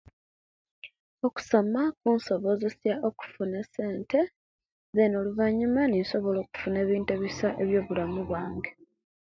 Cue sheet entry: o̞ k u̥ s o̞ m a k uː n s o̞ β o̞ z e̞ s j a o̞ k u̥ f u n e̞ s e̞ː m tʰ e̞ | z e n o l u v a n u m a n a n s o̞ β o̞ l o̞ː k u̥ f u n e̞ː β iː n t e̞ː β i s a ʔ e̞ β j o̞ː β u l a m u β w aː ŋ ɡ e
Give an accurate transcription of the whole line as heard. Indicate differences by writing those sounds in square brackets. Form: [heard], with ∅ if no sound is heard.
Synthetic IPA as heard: o̞ k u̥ s o̞ m a k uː n s o̞ β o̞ z e̞ s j a o̞ k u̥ f u n e̞ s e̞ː [n] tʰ e̞ | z e n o l u v a [ɲ] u m a n [i] n s o̞ β o̞ l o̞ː k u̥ f u n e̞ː β iː n t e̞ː β i s a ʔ e̞ β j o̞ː β u l a m u β w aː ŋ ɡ e